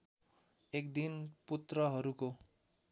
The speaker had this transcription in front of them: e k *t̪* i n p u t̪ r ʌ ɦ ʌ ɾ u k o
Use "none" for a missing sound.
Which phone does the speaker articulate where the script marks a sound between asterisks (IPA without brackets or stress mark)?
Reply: d̪